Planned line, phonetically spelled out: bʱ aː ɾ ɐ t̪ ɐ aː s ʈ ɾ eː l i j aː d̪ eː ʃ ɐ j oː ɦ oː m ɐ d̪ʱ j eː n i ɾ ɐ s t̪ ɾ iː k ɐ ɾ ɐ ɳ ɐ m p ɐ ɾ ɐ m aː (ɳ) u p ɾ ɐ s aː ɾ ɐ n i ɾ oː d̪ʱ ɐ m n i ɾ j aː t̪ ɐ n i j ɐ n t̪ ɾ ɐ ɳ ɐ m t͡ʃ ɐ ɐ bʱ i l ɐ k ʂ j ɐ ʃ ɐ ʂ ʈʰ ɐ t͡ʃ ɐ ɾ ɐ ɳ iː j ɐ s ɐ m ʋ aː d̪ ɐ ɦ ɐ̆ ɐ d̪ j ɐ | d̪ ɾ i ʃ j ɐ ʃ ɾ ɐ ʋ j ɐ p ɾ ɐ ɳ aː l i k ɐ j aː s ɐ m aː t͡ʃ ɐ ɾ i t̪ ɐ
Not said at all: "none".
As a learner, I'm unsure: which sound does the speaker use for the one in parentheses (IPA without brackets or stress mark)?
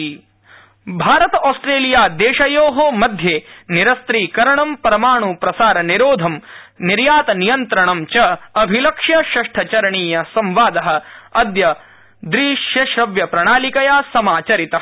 ɳ